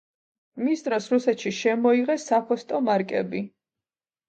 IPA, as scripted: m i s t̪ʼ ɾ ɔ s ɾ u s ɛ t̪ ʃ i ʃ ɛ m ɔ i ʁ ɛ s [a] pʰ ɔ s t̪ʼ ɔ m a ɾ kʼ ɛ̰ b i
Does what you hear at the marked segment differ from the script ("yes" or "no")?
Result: no